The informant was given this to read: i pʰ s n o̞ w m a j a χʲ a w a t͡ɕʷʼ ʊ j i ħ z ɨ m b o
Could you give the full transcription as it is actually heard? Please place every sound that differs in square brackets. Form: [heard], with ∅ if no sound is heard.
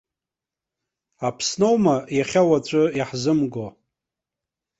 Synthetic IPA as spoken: [a] pʰ s n o̞ w m a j a χʲ a w a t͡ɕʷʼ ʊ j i ħ z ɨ m [ɡ] o